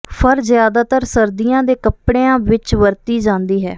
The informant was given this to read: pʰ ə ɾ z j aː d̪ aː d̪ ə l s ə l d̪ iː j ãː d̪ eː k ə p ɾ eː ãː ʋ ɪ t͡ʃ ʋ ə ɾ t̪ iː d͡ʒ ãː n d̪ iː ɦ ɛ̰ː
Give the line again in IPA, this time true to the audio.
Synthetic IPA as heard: pʰ ə ɾ z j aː d̪ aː t̪ ə ɾ s ə ɾ d̪ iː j ãː d̪ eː k ə p ɽ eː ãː ʋ ɪ t͡ʃ ʋ ə ɾ t̪ iː d͡ʒ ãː n d̪ iː ɦ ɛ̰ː